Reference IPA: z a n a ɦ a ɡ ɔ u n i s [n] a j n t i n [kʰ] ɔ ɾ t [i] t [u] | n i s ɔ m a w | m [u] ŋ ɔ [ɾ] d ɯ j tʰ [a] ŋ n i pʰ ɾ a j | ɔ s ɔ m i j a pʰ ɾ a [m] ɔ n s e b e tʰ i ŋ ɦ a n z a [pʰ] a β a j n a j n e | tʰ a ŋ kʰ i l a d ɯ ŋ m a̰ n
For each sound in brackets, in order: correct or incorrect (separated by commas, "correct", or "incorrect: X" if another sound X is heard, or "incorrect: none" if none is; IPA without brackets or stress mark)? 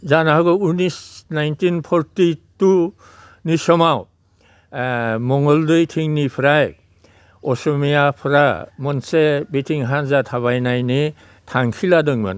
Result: correct, incorrect: pʰ, correct, correct, incorrect: ɔ, incorrect: l, incorrect: i, correct, incorrect: tʰ